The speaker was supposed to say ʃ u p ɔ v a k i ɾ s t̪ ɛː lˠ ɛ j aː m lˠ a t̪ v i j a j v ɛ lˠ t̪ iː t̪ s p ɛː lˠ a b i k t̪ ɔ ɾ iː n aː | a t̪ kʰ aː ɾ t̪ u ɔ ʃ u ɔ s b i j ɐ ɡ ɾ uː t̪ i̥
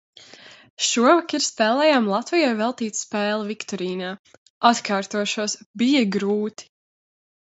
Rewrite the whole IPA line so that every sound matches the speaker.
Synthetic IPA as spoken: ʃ u ɔ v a k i ɾ s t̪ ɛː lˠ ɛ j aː m lˠ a t̪ v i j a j v ɛ lˠ t̪ iː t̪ s p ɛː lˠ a v i k t̪ ɔ ɾ iː n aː | a t̪ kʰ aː ɾ t̪ u ɔ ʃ u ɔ s b i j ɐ ɡ ɾ uː t̪ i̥